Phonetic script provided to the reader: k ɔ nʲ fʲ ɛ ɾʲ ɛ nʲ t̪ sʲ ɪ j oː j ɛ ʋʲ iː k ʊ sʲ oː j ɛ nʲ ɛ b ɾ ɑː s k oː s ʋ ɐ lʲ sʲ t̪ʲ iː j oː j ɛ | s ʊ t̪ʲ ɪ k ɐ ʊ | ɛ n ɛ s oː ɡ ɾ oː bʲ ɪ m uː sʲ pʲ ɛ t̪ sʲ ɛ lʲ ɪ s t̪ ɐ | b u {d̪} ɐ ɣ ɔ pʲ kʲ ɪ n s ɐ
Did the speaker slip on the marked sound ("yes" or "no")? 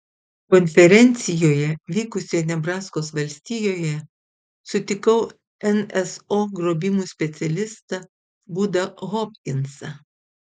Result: no